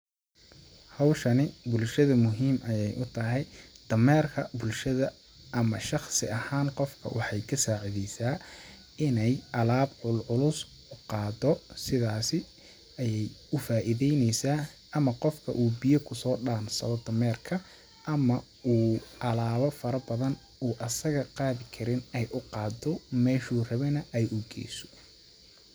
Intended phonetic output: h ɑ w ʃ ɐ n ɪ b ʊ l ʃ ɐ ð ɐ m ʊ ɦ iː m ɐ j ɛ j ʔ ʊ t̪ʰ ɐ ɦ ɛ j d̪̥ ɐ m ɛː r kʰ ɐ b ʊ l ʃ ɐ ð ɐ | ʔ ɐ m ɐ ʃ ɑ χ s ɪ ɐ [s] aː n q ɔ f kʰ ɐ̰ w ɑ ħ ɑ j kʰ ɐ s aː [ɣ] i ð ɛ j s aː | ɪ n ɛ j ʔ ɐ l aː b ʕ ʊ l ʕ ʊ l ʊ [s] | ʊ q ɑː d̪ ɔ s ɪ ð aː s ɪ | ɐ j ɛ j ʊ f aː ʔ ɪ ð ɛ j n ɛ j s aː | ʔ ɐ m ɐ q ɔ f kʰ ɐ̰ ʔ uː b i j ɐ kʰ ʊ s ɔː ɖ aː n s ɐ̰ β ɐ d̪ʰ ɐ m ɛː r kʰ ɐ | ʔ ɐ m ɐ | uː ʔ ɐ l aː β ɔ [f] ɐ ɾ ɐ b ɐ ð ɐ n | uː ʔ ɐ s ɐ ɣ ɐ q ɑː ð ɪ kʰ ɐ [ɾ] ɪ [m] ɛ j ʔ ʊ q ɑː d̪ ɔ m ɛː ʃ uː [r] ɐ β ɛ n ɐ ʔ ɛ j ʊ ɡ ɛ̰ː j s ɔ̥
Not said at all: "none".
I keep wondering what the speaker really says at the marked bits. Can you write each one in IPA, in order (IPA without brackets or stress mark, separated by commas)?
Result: h, ʕ, s, f, ɾ, n, r